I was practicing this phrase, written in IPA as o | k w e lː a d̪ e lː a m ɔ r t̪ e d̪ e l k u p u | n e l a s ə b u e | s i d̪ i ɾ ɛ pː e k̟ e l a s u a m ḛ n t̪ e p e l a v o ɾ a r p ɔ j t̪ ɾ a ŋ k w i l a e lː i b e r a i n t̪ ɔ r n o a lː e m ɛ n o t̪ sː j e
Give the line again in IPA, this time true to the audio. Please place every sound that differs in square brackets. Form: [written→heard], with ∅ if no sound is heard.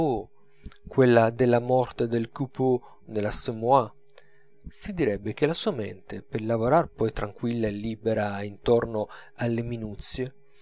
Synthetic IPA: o | k w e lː a d̪ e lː a m ɔ r t̪ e d̪ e l k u p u | n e l a s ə [b→m] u [e→a] | s i d̪ i ɾ ɛ [pː→bː] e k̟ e l a s u a m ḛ n t̪ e p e l a v o ɾ a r p ɔ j t̪ ɾ a ŋ k w i [l→lː] a e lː i b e [r→ɾ] a i n t̪ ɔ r n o a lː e m [ɛ→i] n [o→u] t̪ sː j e